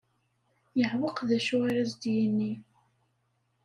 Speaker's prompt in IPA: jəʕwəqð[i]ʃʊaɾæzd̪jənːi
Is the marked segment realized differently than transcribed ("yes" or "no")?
yes